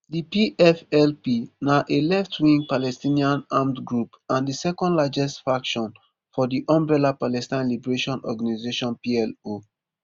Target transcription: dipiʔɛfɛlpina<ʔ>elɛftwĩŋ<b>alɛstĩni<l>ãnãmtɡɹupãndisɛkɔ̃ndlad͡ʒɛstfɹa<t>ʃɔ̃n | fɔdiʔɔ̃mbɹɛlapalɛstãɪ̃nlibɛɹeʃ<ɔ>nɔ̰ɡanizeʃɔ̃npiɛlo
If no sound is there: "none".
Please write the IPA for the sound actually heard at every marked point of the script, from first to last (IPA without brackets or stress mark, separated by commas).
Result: ʔ, p, none, k, ɔ̃